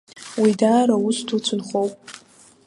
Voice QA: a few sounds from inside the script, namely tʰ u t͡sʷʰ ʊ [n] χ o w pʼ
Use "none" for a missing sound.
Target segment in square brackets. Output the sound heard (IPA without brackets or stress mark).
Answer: n